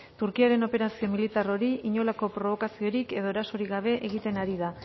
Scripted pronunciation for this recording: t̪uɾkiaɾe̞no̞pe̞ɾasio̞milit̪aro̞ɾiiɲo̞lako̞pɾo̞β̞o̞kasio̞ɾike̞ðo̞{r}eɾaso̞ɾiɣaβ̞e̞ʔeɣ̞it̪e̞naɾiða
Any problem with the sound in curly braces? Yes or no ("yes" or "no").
yes